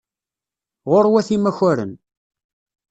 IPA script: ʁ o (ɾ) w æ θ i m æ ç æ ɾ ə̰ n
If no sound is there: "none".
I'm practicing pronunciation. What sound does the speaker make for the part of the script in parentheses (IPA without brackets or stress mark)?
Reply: ɾ